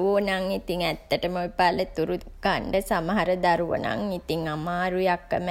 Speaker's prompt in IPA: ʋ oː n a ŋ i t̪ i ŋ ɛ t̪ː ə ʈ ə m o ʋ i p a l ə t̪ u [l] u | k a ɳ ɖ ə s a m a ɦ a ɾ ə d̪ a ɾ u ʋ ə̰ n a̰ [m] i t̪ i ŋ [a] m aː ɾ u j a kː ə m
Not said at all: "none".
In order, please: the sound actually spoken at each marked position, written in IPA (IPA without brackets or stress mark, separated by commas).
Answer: ɾ, ŋ, a